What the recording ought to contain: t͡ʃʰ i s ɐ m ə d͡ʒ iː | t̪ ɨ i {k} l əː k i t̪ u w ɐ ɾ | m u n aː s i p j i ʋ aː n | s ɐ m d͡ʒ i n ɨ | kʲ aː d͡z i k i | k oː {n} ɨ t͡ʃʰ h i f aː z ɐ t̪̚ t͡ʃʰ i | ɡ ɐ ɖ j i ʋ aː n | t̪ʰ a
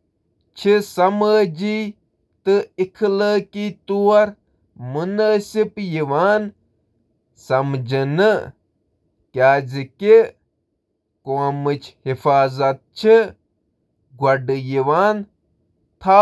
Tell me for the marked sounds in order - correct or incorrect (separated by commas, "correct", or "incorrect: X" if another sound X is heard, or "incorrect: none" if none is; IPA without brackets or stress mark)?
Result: incorrect: kʰ, incorrect: m